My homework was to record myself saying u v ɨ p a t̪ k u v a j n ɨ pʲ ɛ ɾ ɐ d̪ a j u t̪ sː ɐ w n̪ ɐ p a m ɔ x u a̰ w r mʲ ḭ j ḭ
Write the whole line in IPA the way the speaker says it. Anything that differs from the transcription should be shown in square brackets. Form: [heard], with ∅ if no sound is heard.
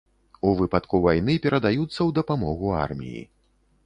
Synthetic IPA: u v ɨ p a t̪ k u v a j n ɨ pʲ ɛ ɾ ɐ d̪ a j u t̪ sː ɐ w [d̪] ɐ p a m ɔ [ɣ] u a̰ [∅] r mʲ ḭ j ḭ